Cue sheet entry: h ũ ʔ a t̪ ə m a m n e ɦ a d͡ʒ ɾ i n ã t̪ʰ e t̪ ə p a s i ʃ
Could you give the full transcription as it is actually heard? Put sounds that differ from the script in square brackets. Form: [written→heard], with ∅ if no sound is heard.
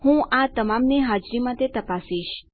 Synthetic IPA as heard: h ũ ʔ a t̪ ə m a m n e ɦ a d͡ʒ ɾ i [n→m] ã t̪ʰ e t̪ ə p a s i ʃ